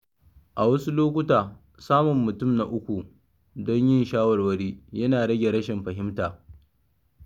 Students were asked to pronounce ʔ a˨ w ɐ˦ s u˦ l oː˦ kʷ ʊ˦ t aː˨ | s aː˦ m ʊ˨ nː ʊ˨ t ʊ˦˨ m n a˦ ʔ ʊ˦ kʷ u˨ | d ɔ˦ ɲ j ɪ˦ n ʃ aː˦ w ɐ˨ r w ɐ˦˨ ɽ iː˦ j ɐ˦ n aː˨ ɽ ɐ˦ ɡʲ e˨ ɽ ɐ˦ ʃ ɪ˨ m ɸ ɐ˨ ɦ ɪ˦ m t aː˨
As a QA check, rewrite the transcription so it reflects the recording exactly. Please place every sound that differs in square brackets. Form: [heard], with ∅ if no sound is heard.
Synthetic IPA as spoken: ʔ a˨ w ɐ˦ s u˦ l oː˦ kʷ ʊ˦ t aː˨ | s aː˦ m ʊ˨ [mː] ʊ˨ t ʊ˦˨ m n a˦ ʔ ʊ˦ kʷ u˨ | d ɔ˦ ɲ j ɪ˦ n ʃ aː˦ w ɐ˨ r w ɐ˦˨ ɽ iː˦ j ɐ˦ n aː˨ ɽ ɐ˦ ɡʲ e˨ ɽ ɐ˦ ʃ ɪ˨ m ɸ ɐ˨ ɦ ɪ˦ m t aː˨